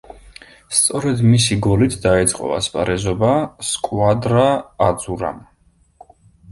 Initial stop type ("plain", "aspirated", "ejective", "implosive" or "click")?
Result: plain